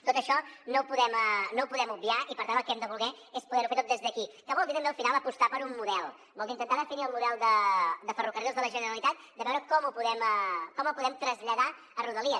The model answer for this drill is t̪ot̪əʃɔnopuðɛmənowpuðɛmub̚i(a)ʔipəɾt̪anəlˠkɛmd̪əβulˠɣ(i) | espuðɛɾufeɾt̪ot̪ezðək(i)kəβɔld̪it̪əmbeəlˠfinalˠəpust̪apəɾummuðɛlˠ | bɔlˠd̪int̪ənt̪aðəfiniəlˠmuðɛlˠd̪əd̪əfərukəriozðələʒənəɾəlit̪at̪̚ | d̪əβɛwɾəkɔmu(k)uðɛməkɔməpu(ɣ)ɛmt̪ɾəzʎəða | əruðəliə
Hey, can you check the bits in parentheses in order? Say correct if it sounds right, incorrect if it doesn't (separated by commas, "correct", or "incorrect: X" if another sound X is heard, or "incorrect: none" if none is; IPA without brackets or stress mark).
correct, incorrect: ɛ, correct, incorrect: p, incorrect: ð